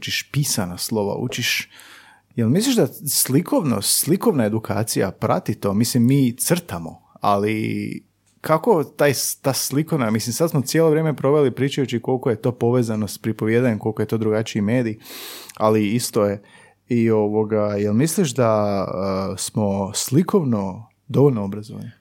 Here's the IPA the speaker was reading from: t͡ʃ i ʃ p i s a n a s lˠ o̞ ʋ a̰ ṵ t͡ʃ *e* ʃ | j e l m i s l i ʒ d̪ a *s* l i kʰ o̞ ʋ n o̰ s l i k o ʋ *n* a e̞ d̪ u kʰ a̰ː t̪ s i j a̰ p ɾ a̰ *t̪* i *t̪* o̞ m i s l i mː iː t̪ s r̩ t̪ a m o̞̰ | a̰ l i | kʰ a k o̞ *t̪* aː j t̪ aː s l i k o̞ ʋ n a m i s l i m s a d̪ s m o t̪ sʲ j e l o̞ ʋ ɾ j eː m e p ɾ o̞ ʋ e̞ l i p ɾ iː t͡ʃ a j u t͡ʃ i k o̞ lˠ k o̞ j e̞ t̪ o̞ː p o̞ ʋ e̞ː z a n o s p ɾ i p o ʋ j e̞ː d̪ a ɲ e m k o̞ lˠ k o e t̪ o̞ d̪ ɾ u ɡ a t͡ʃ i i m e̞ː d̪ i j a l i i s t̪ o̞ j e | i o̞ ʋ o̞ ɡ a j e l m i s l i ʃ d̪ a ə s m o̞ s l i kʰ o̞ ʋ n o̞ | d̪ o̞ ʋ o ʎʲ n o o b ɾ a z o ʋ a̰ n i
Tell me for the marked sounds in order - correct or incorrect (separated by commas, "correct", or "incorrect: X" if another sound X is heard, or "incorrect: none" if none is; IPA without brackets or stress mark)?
incorrect: i, correct, correct, correct, correct, correct